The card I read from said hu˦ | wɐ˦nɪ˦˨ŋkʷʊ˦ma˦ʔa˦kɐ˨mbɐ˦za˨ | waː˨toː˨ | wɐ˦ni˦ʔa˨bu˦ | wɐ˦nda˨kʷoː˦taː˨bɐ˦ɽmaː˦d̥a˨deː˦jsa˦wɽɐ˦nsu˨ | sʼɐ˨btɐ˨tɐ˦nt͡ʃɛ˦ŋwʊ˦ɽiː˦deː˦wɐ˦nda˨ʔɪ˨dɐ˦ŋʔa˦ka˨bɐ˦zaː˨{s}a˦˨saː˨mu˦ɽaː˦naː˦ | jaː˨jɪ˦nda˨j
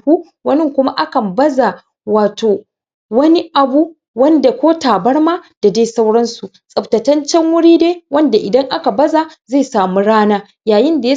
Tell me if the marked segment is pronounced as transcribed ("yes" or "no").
no